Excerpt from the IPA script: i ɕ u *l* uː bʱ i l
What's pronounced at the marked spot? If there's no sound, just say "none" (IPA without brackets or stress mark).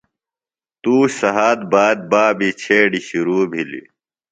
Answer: ɾ